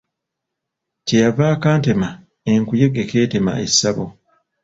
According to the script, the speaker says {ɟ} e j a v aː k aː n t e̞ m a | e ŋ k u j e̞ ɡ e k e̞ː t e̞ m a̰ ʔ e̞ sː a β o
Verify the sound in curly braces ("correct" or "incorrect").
incorrect